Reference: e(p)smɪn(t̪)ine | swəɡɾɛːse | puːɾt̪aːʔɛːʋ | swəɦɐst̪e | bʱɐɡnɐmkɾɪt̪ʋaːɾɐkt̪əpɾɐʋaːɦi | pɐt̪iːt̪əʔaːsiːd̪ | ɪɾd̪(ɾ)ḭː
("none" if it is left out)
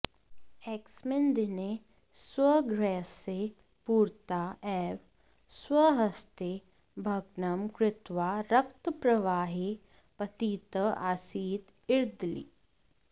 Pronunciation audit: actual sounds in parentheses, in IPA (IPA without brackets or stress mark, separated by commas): k, d̪, l